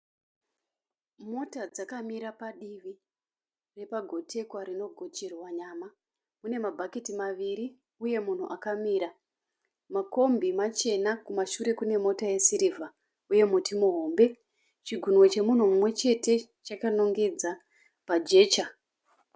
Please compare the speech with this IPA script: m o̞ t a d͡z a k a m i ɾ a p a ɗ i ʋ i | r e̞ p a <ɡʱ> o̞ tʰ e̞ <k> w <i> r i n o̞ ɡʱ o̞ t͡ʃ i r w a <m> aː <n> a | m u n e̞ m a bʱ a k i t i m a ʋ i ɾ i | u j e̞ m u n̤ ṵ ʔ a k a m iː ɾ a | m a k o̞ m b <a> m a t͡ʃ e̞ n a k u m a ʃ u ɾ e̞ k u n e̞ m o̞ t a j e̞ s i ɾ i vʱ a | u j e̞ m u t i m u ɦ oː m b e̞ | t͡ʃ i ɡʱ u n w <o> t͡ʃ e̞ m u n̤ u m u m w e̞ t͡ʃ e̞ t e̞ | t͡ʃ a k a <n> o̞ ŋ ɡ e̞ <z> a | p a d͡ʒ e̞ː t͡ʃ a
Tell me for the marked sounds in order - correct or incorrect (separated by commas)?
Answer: correct, correct, incorrect, incorrect, incorrect, incorrect, correct, correct, incorrect